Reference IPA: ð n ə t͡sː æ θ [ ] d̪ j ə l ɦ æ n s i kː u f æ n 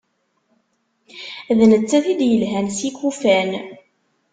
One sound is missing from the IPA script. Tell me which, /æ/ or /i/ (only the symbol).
i